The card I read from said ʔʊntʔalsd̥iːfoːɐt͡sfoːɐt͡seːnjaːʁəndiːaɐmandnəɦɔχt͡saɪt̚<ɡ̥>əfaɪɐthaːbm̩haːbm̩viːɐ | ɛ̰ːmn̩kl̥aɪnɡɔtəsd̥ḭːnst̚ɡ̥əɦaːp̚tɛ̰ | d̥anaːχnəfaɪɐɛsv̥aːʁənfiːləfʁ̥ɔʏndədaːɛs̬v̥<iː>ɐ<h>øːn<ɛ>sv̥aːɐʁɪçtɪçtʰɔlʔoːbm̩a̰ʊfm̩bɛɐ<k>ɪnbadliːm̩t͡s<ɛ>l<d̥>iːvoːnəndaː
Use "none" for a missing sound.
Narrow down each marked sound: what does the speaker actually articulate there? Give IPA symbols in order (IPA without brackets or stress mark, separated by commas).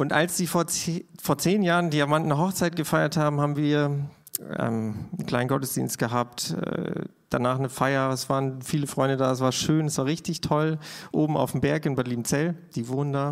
ɡ̥, aː, ʃ, ɛ, k, ɛ, d̥